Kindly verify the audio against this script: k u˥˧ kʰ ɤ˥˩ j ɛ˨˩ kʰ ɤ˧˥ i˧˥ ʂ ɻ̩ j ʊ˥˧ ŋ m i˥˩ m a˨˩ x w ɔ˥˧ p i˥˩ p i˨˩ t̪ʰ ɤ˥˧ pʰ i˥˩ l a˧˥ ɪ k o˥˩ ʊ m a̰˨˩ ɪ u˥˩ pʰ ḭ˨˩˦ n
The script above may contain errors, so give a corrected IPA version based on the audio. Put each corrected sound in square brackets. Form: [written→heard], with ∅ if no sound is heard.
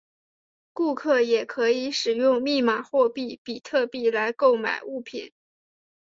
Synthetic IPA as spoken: k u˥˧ kʰ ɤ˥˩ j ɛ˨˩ kʰ ɤ˧˥ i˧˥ ʂ ɻ̩ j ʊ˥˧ ŋ m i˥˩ m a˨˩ x w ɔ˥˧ p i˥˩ p i˨˩ t̪ʰ ɤ˥˧ [pʰ→p] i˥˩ l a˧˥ ɪ k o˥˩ ʊ m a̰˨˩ ɪ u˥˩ pʰ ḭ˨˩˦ n